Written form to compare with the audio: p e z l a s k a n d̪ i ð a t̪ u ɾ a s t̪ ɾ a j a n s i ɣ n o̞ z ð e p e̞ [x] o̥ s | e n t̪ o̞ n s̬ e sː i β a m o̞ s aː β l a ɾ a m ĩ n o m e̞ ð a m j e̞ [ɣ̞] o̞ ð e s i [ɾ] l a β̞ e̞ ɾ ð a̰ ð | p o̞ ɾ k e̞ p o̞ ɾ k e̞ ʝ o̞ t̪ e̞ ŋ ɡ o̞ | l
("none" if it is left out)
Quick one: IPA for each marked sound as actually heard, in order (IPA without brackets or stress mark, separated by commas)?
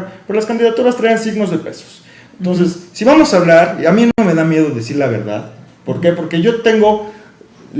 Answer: s, ð̞, ɾ